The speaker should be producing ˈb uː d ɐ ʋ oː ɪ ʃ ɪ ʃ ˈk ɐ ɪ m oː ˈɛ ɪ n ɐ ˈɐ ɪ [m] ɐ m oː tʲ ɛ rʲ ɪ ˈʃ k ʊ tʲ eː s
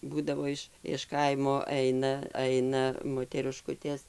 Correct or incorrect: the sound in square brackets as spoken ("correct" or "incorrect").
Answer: incorrect